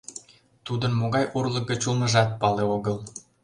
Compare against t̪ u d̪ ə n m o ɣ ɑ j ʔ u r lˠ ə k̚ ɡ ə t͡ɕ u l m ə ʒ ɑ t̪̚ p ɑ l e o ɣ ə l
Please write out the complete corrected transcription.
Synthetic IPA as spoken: t̪ u d̪ ə n m o ɣ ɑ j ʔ u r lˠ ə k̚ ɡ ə t͡ɕ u l m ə ʒ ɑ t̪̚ p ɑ l e o ɣ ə l